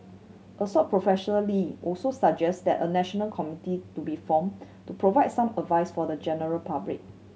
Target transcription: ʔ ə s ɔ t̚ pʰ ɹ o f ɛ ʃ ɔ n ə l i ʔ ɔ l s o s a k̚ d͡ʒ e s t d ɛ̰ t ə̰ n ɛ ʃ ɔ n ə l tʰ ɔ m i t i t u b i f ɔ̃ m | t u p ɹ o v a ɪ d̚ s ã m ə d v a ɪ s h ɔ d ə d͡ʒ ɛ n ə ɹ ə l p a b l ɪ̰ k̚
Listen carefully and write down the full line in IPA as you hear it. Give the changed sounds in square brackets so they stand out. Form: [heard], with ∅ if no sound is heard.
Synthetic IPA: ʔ ə s ɔ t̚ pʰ ɹ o f ɛ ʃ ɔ n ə l i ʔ ɔ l s o s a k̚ d͡ʒ [ɛ] s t d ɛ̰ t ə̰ n ɛ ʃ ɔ n ə l [kʰ] ɔ m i t i t u b i f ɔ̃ m | t u p ɹ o v a ɪ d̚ s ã m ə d v a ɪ s [f] ɔ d ə d͡ʒ ɛ n ə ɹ ə l p a b l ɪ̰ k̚